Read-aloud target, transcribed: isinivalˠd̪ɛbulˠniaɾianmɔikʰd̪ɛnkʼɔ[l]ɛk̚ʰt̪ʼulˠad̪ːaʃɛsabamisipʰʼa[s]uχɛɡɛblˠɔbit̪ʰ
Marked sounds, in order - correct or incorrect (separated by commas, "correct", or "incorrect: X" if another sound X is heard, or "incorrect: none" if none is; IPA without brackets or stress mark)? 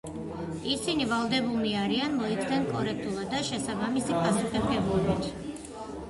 incorrect: ɾ, correct